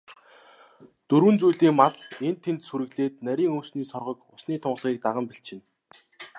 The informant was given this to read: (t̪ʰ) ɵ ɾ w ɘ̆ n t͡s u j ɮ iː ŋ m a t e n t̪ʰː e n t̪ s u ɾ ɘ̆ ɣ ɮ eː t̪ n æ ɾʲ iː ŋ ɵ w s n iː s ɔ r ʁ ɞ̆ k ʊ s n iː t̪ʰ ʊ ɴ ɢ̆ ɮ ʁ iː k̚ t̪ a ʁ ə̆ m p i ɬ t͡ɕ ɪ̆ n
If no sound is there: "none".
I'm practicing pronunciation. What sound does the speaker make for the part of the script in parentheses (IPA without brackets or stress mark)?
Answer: t̪